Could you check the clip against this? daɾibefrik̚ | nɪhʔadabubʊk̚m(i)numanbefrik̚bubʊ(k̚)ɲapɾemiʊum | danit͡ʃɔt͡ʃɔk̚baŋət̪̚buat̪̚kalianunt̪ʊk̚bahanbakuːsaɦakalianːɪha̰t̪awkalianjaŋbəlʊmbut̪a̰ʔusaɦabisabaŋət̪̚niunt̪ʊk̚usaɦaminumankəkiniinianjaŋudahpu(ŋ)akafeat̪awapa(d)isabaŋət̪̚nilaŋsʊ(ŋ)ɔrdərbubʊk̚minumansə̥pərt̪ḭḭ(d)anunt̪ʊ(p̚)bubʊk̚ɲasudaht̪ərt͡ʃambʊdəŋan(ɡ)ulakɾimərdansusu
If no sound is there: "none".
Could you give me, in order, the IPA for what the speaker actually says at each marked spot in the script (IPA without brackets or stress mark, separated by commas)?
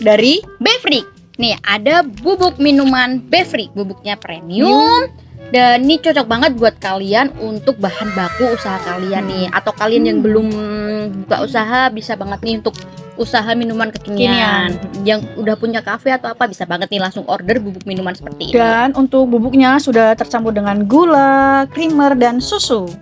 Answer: i, k̚, ɲ, b, ŋ, d, k̚, ɡ